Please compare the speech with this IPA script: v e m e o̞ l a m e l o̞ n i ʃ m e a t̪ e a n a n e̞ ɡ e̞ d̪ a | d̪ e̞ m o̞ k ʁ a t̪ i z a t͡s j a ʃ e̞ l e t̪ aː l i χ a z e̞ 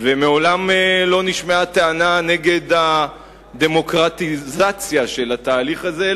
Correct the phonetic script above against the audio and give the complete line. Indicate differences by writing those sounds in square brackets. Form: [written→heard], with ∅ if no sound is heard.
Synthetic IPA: v e m e o̞ l a m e l o̞ n i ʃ m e a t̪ e a n a n e̞ ɡ e̞ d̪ a | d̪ e̞ m o̞ k ʁ a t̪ i z a t͡s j a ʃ e̞ l [e→a] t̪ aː l i χ a z e̞